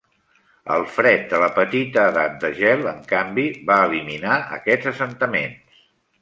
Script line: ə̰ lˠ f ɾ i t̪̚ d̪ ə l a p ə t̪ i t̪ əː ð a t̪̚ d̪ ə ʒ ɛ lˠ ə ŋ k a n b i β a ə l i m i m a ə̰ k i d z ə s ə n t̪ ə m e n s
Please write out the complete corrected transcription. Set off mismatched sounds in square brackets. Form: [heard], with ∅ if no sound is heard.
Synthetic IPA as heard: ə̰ lˠ f ɾ [ɛ] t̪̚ d̪ ə l [ə] p ə t̪ i t̪ əː ð a t̪̚ d̪ ə ʒ ɛ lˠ ə ŋ k a [m] b i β a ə l i m i [n] a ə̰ k [ɛ] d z ə s ə n t̪ ə m e n s